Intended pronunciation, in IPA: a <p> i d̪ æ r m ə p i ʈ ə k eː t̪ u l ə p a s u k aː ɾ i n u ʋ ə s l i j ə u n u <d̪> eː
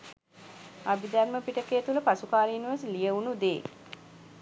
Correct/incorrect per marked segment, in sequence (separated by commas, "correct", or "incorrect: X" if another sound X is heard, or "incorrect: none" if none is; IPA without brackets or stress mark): incorrect: b, correct